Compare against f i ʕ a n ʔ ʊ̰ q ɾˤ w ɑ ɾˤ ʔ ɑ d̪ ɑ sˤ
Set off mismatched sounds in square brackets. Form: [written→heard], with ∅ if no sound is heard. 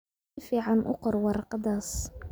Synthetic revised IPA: f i ʕ a n ʔ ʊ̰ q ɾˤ w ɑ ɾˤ [ʔ→q] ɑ d̪ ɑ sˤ